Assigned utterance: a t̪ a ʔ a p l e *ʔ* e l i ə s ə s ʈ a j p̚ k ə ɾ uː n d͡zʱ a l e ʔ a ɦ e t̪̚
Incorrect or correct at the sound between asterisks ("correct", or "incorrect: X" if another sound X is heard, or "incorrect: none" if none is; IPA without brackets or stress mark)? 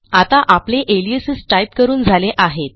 correct